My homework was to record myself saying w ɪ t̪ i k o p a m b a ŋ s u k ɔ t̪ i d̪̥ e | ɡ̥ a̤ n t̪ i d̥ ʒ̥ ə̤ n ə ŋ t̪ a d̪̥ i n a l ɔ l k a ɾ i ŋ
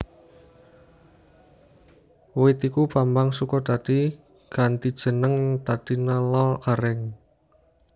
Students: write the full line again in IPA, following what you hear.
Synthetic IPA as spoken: w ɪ t̪ i k u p a m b a ŋ s u k ɔ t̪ a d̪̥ i | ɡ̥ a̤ n t̪ i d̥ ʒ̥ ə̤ n ə ŋ t̪ a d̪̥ i n a l ɔ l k a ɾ ɛ ŋ